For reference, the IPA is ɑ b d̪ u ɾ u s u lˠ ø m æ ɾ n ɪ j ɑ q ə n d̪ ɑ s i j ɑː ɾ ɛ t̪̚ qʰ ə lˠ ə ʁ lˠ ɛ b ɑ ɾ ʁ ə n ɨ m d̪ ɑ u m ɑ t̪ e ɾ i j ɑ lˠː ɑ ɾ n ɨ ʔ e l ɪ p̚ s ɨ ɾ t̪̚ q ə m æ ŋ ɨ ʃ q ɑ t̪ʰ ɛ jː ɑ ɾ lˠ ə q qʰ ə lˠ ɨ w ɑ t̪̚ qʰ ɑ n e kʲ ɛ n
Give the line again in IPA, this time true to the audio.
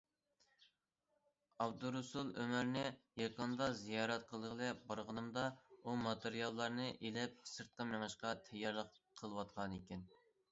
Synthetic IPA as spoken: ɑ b d̪ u ɾ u s u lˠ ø m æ ɾ n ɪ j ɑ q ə n d̪ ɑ z i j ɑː ɾ ɛ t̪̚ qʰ ə lˠ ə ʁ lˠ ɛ b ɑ ɾ ʁ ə n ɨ m d̪ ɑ u m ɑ t̪ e ɾ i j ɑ lˠː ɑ ɾ n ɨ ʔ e l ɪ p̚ s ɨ ɾ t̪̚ q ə m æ ŋ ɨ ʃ q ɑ t̪ʰ ɛ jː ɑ ɾ lˠ ə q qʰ ə lˠ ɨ w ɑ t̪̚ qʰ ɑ n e kʲ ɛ n